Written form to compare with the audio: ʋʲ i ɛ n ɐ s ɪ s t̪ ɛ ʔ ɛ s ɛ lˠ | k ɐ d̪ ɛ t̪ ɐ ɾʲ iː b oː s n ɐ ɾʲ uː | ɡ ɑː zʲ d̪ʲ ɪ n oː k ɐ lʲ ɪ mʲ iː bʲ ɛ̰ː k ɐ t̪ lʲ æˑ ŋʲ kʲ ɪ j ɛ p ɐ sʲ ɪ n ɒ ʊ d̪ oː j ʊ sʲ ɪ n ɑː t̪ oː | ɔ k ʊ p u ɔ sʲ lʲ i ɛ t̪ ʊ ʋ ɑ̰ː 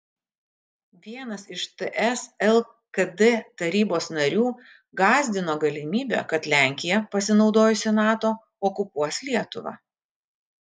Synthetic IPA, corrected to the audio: ʋʲ i ɛ n ɐ s ɪ ʃ t̪ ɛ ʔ ɛ s ɛ lˠ | k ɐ d̪ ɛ t̪ ɐ ɾʲ iː b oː s n ɐ ɾʲ uː | ɡ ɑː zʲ d̪ʲ ɪ n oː ɡ ɐ lʲ ɪ mʲ iː bʲ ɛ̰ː k ɐ t̪ lʲ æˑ ŋʲ kʲ ɪ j ɛ p ɐ sʲ ɪ n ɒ ʊ d̪ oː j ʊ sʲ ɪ n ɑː t̪ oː | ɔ k ʊ p u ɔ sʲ lʲ i ɛ t̪ ʊ ʋ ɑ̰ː